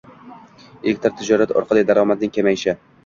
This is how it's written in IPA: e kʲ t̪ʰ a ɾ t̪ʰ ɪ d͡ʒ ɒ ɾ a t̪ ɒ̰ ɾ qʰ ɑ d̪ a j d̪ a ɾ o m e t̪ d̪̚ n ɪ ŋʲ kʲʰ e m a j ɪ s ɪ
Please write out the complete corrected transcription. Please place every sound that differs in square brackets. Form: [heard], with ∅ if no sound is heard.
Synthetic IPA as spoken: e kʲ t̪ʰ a ɾ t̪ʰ ɪ d͡ʒ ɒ ɾ a t̪ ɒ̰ ɾ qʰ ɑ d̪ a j d̪ a ɾ [ɒ] m [a] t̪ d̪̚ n ɪ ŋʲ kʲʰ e m a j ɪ [ʃ] ɪ